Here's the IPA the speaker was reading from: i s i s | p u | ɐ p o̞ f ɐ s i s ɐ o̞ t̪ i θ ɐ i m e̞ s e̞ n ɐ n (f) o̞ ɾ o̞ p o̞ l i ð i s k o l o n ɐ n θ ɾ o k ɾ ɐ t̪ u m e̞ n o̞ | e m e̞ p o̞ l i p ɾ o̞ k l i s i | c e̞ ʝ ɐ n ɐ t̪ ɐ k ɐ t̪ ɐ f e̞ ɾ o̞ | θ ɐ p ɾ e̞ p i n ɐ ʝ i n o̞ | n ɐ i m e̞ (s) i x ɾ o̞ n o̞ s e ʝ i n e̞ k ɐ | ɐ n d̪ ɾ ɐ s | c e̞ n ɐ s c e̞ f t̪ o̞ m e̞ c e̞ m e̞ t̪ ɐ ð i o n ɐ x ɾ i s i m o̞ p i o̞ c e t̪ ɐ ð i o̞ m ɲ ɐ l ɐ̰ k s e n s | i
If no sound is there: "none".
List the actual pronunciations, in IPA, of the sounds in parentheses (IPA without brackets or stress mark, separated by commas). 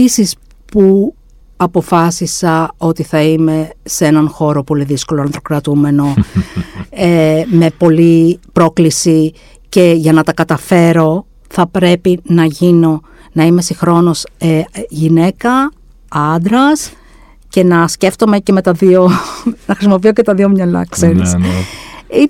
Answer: x, s